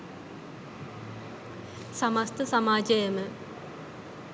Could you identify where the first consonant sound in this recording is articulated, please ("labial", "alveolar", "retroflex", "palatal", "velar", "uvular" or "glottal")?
alveolar